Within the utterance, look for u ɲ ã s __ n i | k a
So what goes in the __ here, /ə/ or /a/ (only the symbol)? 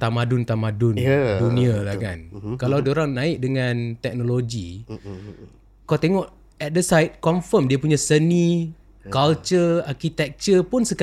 ə